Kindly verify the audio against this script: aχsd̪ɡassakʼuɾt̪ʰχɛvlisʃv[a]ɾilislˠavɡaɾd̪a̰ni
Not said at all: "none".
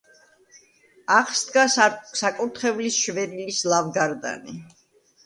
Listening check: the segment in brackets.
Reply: ɛ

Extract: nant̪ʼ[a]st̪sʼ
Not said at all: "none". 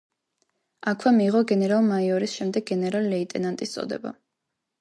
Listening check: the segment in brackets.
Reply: i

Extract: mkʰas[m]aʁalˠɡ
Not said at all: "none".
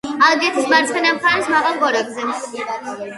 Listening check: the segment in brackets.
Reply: m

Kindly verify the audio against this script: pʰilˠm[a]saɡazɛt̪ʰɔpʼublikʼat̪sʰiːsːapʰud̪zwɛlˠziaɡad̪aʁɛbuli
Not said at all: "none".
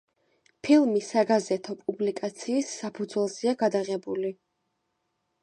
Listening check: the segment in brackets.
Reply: i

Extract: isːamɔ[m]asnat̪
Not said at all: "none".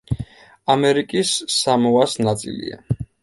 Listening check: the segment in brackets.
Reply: none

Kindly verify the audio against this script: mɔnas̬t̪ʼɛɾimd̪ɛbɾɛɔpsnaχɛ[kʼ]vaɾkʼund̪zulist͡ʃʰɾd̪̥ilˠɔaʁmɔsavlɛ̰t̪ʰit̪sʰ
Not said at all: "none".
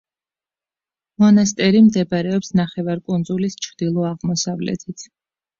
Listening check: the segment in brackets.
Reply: none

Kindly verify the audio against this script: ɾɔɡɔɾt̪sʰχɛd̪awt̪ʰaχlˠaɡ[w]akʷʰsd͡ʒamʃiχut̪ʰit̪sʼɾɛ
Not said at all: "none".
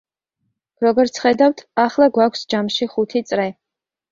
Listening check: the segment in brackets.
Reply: w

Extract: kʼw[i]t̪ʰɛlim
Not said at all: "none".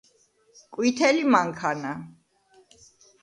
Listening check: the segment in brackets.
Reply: i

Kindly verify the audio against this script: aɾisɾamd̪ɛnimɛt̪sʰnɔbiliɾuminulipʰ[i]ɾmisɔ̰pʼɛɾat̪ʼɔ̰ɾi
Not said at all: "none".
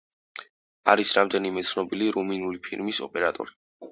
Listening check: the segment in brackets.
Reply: i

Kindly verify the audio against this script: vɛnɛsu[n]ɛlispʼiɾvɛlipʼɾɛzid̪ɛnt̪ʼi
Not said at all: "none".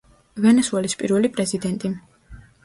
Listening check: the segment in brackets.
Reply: none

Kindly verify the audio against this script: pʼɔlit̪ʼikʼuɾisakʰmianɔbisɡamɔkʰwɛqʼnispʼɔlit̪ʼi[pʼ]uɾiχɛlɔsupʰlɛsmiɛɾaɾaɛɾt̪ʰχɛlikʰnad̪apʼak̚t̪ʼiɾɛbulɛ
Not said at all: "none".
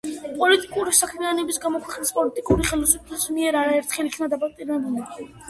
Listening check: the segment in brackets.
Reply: kʼ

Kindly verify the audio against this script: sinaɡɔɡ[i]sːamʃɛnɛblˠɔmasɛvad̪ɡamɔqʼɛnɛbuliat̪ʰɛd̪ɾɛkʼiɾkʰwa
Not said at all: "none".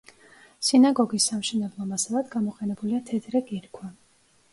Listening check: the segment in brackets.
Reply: i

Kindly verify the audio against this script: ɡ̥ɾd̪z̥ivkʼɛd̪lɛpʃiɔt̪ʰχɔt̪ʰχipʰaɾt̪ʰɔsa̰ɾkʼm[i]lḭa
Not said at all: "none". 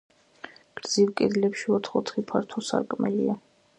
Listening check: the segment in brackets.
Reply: ɛ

